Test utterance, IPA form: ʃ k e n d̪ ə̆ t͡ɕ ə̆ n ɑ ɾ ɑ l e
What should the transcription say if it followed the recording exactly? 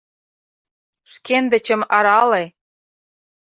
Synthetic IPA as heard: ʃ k e n d̪ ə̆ t͡ɕ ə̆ m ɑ ɾ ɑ l e